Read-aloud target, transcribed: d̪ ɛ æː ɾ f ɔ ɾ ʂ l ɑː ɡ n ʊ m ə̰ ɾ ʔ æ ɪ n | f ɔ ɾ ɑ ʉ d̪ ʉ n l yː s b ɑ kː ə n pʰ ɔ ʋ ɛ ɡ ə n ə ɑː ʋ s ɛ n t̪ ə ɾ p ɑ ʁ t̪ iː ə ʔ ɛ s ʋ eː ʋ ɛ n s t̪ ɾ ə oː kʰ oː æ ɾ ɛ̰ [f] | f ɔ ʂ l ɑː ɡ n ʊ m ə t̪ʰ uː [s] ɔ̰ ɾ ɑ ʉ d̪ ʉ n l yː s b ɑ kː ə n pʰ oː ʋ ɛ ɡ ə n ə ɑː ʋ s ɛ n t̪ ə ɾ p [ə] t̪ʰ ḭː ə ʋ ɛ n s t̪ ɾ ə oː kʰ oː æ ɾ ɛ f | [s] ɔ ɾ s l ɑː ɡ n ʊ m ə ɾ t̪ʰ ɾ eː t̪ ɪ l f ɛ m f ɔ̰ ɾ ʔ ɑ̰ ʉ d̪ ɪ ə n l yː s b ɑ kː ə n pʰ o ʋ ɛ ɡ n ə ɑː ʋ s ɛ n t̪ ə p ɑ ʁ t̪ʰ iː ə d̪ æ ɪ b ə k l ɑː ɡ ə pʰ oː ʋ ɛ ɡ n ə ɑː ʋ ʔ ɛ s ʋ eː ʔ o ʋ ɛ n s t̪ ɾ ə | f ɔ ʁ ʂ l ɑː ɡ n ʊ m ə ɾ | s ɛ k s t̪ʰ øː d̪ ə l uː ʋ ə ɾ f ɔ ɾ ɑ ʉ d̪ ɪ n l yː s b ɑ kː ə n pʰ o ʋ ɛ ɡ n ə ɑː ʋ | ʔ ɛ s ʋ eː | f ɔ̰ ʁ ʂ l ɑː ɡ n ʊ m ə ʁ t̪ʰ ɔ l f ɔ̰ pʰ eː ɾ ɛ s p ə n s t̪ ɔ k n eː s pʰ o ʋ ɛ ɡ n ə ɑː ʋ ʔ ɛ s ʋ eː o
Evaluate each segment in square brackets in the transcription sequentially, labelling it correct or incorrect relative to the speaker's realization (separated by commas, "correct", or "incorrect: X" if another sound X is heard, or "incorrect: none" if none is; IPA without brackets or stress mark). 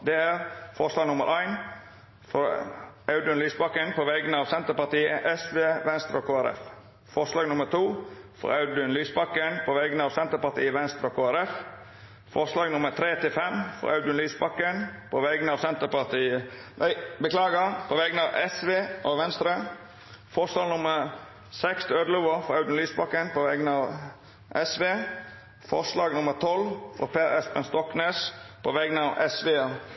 correct, incorrect: f, incorrect: ɑ, incorrect: f